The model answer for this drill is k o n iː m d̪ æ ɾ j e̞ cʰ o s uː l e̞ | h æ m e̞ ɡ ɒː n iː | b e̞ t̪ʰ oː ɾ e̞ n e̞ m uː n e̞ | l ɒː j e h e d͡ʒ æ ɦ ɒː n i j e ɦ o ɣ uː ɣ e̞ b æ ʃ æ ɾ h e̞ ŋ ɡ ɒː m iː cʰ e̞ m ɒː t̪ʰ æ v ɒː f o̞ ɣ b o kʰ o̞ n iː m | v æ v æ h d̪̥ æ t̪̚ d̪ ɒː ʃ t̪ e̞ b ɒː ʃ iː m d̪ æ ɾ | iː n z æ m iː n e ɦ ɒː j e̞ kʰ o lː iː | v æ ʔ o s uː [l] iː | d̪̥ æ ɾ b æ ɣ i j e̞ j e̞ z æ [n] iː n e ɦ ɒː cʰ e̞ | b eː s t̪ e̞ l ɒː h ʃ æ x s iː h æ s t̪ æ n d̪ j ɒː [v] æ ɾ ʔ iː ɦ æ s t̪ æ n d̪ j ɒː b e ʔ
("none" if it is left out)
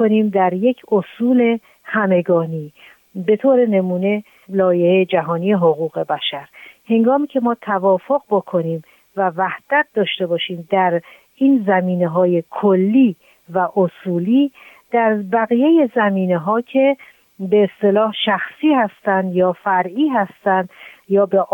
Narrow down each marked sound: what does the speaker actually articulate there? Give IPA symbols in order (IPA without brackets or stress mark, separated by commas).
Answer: l, m, f